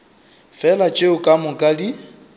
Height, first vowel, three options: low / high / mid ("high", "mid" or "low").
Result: mid